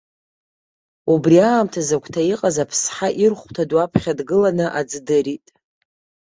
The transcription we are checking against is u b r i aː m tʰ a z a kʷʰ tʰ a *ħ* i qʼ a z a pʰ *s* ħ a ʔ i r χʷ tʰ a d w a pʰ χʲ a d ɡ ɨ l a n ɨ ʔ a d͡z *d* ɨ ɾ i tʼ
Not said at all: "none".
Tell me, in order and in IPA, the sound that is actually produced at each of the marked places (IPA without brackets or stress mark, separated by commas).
none, s, d